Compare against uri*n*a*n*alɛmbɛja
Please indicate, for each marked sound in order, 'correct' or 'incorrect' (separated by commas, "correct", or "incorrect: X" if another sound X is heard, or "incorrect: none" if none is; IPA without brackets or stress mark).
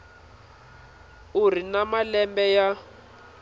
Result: correct, incorrect: m